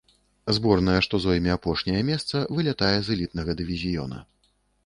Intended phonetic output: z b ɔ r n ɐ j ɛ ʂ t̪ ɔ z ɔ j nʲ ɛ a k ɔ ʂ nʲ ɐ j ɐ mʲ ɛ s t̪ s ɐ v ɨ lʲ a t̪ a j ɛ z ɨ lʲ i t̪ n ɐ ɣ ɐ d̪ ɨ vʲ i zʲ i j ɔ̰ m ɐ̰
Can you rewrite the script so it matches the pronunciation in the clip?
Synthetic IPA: z b ɔ r n ɐ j ɛ ʂ t̪ ɔ z ɔ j mʲ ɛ a p ɔ ʂ nʲ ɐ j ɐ mʲ ɛ s t̪ s ɐ v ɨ lʲ a t̪ a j ɛ z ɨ lʲ i t̪ n ɐ ɣ ɐ d̪ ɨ vʲ i zʲ i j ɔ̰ n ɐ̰